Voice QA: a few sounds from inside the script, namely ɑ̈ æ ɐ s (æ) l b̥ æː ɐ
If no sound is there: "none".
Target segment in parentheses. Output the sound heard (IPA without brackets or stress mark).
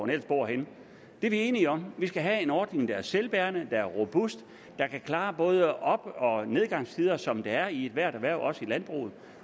e